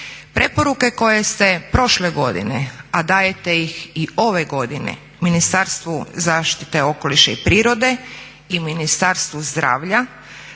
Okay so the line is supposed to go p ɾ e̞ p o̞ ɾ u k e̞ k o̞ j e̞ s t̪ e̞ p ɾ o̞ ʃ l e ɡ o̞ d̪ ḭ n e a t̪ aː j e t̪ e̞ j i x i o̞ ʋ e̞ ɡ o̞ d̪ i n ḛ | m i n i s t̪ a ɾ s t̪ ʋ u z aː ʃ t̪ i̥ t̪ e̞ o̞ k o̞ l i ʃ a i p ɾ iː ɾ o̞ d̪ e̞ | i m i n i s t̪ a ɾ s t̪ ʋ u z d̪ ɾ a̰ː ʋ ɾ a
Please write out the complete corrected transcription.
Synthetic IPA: p ɾ e̞ p o̞ ɾ u k e̞ k o̞ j e̞ s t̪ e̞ p ɾ o̞ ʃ l e ɡ o̞ d̪ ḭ n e a d̪ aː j e t̪ e̞ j i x i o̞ ʋ e̞ ɡ o̞ d̪ i n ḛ | m i n i s t̪ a ɾ s t̪ ʋ u z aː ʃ t̪ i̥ t̪ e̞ o̞ k o̞ l i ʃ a i p ɾ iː ɾ o̞ d̪ e̞ | i m i n i s t̪ a ɾ s t̪ ʋ u z d̪ ɾ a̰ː ʋ ʎ a